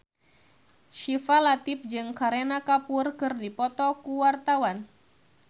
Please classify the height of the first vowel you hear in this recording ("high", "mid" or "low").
high